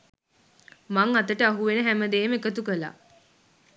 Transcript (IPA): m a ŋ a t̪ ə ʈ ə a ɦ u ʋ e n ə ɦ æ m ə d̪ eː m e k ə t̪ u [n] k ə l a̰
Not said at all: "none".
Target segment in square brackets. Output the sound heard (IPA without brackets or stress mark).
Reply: none